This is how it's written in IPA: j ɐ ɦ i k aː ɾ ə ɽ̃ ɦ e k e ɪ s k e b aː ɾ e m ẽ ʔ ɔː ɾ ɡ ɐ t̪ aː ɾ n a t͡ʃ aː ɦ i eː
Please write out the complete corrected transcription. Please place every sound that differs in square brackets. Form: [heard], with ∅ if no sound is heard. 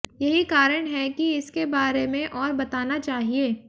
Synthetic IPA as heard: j ɐ ɦ i k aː ɾ ə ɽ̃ ɦ [ɛ] k [i] ɪ s k e b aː ɾ e m ẽ ʔ ɔː ɾ [b] ɐ t̪ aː [∅] n a t͡ʃ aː ɦ i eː